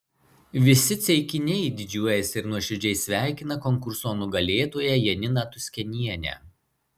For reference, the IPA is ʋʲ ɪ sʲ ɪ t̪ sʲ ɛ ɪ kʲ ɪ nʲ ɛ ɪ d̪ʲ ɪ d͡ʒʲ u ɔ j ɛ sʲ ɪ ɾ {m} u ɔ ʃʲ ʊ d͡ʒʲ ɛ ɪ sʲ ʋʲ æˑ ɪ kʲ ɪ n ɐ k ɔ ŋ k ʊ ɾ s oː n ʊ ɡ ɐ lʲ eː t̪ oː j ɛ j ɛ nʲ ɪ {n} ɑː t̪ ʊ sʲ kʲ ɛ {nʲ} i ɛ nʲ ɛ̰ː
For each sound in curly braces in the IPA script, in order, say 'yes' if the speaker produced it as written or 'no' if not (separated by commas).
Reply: no, yes, yes